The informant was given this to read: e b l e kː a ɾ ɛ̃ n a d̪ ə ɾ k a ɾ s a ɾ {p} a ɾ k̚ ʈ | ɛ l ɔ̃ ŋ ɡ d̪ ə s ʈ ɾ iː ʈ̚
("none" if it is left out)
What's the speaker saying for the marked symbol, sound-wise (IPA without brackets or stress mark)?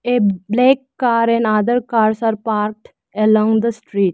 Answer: p